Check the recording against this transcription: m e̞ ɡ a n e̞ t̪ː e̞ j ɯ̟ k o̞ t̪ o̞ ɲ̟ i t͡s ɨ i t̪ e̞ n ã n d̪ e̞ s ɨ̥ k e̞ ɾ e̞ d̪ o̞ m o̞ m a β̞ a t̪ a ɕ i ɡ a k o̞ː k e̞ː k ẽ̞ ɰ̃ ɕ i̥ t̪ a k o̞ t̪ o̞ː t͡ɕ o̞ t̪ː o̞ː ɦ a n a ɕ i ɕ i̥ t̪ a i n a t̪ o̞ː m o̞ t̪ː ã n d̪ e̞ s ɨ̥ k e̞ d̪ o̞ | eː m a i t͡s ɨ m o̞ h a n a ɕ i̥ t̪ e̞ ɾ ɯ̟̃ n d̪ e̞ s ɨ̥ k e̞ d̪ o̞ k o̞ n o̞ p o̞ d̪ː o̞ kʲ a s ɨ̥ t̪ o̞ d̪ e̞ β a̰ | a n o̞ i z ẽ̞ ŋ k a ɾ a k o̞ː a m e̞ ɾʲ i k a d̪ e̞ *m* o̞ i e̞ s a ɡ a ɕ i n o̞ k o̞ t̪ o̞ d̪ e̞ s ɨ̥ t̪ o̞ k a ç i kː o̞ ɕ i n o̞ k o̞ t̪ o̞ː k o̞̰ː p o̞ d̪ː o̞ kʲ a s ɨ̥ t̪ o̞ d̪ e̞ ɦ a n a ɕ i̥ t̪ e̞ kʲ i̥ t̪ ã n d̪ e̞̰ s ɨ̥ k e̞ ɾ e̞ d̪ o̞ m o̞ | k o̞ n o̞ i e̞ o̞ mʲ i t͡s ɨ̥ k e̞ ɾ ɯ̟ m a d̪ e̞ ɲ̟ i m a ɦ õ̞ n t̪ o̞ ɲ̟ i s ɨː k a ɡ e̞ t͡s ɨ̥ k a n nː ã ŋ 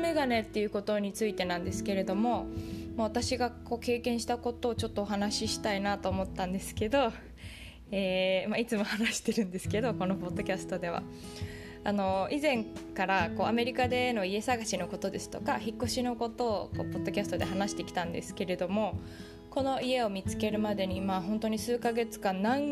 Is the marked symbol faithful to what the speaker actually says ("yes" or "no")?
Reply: no